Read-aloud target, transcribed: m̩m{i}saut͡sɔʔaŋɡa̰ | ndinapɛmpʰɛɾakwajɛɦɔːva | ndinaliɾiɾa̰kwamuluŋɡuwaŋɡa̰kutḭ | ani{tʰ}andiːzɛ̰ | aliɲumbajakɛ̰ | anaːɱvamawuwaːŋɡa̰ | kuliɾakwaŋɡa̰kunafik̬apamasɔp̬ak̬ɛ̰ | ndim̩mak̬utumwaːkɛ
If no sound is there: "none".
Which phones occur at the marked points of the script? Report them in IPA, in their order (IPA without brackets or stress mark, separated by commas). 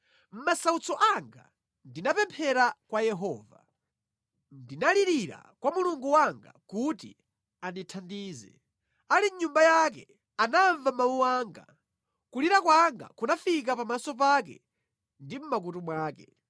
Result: a, tʰ